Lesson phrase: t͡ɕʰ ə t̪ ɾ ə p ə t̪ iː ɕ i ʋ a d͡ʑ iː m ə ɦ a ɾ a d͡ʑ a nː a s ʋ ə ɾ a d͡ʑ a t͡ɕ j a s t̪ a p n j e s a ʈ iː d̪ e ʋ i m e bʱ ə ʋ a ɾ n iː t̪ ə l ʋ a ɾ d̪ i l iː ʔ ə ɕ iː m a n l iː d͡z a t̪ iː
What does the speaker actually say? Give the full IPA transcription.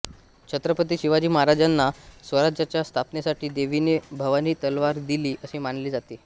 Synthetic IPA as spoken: t͡ɕʰ ə t̪ ɾ ə p ə t̪ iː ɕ i ʋ a d͡ʑ iː m ə ɦ a ɾ a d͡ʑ a nː a s ʋ ə ɾ a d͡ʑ a t͡ɕ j a s t̪ʰ a p n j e s a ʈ iː d̪ e ʋ i n e bʱ ə ʋ a n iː t̪ ə l ʋ a ɾ d̪ i l iː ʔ ə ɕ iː m a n l iː d͡z a t̪ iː